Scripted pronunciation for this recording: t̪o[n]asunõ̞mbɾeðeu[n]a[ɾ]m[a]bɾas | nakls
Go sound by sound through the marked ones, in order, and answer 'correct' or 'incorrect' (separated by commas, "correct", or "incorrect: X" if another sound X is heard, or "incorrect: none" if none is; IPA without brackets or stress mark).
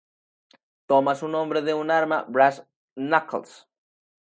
incorrect: m, correct, correct, correct